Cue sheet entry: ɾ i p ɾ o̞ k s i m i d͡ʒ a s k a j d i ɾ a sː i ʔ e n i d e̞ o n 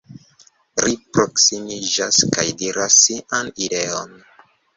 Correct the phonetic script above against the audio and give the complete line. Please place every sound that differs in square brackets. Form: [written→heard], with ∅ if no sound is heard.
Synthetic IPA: ɾ i p ɾ o̞ k s i m i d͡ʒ a s k a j d i ɾ a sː i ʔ [e→a] n i d e̞ o n